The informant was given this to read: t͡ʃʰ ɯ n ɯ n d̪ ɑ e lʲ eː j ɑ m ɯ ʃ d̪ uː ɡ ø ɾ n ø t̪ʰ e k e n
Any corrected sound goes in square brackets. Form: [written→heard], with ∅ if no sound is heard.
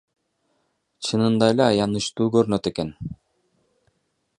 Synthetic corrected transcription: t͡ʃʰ ɯ n ɯ n d̪ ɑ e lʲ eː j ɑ [m→n] ɯ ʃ [d̪→t̪] uː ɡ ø ɾ n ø [t̪ʰ→t̪] e k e n